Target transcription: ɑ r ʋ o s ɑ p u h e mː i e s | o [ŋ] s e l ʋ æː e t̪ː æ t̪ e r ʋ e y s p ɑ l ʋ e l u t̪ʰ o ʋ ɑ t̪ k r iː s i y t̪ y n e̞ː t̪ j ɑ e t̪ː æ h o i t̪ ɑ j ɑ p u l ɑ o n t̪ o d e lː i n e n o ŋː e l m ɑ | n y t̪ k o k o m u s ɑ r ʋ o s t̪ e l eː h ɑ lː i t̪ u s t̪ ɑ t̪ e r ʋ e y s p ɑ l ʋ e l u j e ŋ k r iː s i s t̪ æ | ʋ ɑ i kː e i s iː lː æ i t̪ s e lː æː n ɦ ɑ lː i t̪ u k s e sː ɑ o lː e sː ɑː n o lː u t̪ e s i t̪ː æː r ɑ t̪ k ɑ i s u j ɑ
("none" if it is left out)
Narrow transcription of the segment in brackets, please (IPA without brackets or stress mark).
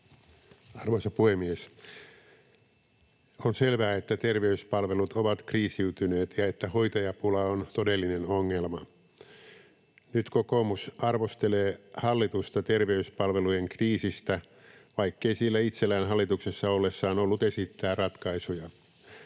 n